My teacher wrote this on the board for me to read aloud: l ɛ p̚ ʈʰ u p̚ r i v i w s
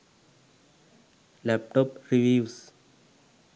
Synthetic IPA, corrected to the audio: l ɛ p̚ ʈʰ ɔ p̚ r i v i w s